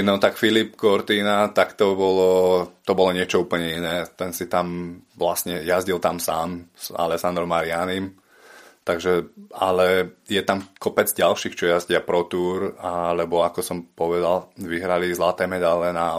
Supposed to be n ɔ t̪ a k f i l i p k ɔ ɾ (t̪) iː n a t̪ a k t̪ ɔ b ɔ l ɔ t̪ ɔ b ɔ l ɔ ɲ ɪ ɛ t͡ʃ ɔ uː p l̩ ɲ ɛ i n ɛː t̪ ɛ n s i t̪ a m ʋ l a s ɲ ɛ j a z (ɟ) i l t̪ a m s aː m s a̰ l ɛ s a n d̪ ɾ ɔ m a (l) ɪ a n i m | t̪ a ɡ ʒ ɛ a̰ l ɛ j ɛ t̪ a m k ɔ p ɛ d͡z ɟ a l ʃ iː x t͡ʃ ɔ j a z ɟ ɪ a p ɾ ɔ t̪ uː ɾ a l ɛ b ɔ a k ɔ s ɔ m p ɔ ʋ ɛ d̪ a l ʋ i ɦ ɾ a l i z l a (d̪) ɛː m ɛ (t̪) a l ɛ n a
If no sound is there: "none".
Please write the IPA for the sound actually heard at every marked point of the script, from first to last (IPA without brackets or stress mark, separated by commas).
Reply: t̪, ɟ, ɾ, t̪, d̪